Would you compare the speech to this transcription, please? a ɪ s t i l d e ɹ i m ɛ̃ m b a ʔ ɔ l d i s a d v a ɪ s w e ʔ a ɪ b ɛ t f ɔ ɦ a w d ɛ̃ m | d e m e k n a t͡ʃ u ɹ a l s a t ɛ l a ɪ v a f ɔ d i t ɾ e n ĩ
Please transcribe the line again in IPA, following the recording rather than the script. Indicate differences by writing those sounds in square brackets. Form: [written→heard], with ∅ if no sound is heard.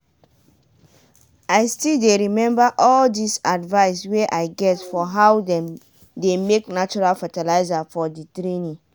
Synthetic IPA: a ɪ s t i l d e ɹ i m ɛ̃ m b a ʔ ɔ l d i s a d v a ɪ s w e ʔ a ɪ [b→ɡ] ɛ t f ɔ ɦ a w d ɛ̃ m | d e m e k n a t͡ʃ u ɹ a l [s→f] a t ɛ l a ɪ [v→z] a f ɔ d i t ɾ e n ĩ